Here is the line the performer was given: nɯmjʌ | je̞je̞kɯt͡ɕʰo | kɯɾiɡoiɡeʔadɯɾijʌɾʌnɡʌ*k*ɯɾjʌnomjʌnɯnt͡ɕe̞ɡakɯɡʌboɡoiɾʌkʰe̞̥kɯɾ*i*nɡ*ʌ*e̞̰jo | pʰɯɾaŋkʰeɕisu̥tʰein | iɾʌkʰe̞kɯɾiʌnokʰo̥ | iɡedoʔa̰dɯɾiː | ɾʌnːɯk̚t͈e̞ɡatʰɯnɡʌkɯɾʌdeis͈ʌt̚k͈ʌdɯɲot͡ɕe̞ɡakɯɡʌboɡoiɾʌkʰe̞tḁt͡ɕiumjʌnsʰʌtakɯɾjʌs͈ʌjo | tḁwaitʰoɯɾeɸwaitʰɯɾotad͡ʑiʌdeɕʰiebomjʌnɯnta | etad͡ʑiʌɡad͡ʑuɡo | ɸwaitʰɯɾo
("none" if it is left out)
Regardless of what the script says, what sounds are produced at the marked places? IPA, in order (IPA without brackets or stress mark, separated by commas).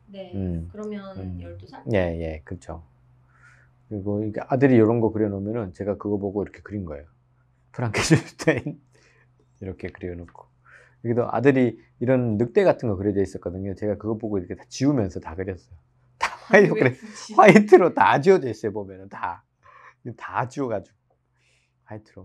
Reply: k, i, ʌ